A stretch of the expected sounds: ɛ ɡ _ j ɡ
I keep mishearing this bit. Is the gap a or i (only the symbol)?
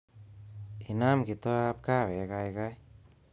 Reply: a